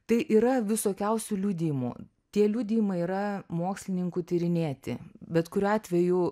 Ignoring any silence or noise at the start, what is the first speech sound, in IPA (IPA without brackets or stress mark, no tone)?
t̪